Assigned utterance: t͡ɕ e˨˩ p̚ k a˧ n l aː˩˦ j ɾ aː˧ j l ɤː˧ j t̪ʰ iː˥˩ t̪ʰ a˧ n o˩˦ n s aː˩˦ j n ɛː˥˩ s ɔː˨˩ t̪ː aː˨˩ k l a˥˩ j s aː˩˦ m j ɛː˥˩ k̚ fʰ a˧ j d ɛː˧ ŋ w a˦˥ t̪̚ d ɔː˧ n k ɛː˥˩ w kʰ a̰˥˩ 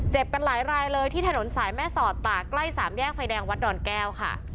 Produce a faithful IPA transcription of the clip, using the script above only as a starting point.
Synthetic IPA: t͡ɕ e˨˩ p̚ k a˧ n l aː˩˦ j ɾ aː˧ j l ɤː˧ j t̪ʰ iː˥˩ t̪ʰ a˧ n o˩˦ n s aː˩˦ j m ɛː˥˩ s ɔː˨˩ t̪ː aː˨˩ k l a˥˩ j s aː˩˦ m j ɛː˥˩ k̚ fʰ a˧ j d ɛː˧ ŋ w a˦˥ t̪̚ d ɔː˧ n k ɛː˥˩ w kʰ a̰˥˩